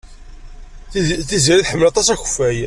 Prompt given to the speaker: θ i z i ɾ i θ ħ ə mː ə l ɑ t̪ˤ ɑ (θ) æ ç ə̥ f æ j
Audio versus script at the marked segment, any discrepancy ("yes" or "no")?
yes